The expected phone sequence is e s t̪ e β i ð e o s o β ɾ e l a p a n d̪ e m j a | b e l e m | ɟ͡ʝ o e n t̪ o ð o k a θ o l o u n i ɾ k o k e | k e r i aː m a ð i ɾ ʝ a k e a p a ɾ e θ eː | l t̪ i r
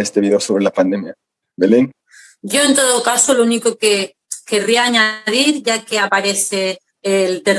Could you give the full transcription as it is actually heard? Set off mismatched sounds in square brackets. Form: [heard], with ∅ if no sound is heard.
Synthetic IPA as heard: e s t̪ e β i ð e o s o β ɾ e l a p a n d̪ e m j a | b e l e [ŋ] | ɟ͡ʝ o e n t̪ o ð o k a [s] o l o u n i [∅] k o k e | k e r i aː [ɲ] a ð i ɾ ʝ a k e a p a ɾ e θ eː | l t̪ [e] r